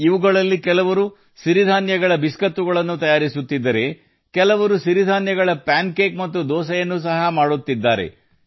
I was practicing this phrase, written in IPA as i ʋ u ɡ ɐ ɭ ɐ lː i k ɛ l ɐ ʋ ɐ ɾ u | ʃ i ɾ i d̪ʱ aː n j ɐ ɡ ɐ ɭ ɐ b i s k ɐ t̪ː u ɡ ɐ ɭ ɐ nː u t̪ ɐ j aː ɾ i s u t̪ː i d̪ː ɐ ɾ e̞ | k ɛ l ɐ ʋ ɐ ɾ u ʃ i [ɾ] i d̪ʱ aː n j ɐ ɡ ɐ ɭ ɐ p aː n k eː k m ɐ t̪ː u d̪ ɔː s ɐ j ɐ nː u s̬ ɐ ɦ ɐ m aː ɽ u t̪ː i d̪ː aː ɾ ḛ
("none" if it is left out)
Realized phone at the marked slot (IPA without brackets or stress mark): ɾ